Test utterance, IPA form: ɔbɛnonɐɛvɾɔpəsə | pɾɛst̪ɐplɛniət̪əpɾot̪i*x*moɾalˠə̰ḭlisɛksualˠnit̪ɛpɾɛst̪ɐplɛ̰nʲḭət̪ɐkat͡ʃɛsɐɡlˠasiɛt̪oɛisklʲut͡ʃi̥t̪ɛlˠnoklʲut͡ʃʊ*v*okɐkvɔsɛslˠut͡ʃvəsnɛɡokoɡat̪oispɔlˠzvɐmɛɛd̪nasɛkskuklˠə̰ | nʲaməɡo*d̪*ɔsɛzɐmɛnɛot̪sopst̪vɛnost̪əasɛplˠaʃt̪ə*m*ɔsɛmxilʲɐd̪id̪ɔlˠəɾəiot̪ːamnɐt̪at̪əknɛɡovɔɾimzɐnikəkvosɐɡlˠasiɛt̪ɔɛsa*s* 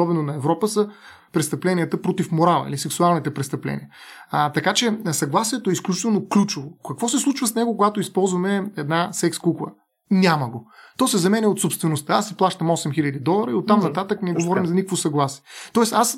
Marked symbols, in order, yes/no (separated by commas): no, yes, no, yes, yes